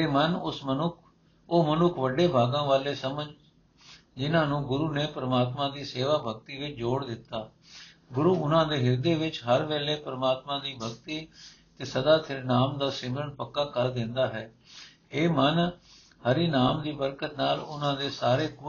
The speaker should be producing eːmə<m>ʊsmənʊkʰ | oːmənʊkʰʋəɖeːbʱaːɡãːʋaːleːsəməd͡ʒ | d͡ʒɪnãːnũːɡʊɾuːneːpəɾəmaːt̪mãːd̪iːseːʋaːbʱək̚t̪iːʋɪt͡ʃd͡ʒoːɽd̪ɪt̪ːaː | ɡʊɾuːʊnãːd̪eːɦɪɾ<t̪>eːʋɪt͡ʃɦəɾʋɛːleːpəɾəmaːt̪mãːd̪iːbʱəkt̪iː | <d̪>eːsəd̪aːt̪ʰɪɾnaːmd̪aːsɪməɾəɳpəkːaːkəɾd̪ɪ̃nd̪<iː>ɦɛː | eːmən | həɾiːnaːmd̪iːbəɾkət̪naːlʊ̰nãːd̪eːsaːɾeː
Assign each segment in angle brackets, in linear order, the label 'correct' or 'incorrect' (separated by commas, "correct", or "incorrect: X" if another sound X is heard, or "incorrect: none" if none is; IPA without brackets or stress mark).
incorrect: n, incorrect: d̪, incorrect: t̪, incorrect: aː